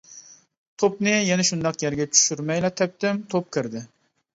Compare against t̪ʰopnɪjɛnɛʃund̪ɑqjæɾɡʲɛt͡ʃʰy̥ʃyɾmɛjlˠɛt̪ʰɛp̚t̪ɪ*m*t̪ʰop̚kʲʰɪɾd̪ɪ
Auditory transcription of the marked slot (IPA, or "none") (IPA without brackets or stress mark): m